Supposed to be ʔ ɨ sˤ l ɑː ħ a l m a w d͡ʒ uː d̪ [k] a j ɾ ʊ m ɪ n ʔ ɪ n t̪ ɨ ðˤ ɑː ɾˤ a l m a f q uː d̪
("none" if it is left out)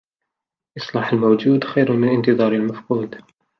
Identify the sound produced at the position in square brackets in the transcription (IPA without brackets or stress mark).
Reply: x